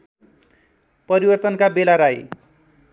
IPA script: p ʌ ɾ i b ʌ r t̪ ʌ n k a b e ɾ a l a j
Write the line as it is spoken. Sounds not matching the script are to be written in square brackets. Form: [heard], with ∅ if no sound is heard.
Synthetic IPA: p ʌ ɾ i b ʌ r t̪ ʌ n k a b e [l] a [ɾ] a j